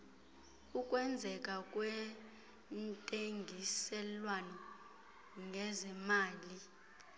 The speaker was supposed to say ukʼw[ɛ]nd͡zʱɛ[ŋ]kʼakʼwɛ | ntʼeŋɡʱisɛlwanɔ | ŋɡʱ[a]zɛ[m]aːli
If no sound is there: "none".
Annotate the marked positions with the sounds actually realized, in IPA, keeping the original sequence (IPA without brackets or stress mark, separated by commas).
ɛ, none, ɛ, m